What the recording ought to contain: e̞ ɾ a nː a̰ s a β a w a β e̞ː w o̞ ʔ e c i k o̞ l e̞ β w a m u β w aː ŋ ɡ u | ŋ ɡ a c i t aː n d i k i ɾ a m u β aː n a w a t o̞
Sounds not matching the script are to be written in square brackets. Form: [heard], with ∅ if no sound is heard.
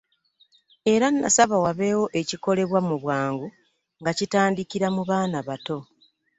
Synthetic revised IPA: e̞ ɾ a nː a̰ s a β a w a β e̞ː w o̞ ʔ e c i k o̞ l e̞ β w a m u β w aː ŋ ɡ u | ŋ ɡ a c i t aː n d i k i ɾ a m u β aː n a [β] a t o̞